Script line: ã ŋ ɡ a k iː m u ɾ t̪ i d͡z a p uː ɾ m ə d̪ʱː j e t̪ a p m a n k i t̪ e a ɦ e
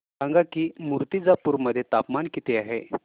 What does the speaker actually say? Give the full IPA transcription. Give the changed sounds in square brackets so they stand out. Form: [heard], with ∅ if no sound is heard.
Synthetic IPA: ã ŋ ɡ a k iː m u ɾ t̪ i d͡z a p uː ɾ m ə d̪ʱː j e t̪ a p m a n k i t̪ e a ɦ e

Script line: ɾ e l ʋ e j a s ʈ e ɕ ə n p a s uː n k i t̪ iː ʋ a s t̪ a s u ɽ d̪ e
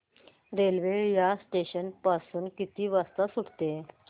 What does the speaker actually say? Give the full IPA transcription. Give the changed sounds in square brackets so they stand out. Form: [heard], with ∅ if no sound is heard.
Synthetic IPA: ɾ e l ʋ e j a s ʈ e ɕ ə n p a s uː n k i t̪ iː ʋ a s t̪ a s u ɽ [t̪] e

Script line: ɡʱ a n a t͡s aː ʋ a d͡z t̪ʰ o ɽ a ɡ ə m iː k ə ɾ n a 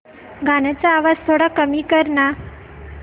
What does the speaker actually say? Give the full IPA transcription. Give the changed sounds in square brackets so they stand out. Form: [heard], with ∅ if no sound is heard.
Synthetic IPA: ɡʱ a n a t͡s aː ʋ a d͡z t̪ʰ o ɽ a [k] ə m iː k ə ɾ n a

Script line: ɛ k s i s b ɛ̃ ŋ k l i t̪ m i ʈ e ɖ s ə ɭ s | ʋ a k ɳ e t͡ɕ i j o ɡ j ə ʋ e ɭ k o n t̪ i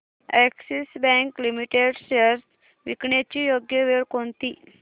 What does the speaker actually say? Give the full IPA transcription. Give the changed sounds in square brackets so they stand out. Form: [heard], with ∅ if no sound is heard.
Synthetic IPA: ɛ k s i s b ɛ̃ ŋ k l i [∅] m i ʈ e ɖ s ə [ɾ] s | ʋ [i] k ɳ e t͡ɕ i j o ɡ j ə ʋ e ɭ k o n t̪ i

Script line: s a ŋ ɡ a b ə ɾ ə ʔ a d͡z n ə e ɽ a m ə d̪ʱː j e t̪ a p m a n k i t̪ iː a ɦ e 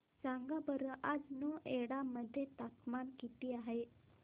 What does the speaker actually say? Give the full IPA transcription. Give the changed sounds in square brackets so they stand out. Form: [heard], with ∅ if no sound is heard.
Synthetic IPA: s a ŋ ɡ a b ə ɾ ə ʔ a d͡z n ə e ɽ a m ə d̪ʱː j e t̪ a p m a n k i t̪ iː a ɦ e

